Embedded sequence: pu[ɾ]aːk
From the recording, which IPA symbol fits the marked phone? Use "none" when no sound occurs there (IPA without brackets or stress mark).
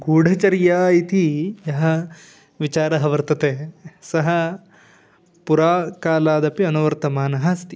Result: ɾ